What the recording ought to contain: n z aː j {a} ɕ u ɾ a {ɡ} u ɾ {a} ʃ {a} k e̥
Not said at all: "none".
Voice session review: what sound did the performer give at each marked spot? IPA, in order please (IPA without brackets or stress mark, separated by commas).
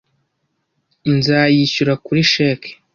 i, k, i, e